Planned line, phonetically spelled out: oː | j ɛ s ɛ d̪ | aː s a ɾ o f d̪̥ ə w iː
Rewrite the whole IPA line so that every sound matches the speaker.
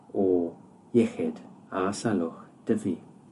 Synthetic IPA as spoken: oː | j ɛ x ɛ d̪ | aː s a l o x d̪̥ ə v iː